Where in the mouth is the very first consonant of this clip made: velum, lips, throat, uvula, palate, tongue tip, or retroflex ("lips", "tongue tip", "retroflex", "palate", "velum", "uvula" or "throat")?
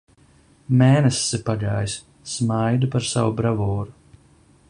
lips